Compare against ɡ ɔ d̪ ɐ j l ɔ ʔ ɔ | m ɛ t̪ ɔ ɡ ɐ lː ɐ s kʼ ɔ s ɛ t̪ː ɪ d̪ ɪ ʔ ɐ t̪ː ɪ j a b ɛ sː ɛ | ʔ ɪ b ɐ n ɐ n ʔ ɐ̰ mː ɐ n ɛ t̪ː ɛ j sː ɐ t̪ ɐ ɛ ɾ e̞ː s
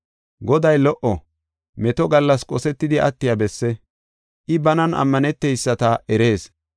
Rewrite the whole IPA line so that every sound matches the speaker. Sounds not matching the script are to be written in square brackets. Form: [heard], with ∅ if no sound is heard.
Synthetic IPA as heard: ɡ ɔ d̪ ɐ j l ɔ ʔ ɔ | m ɛ t̪ ɔ ɡ ɐ lː ɐ s kʼ ɔ s ɛ t̪ː ɪ d̪ ɪ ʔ ɐ t̪ː ɪ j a b ɛ sː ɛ | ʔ ɪ b ɐ n ɐ n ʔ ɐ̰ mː ɐ n ɛ t̪ː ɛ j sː ɐ t̪ ɐ ɛ ɾ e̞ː s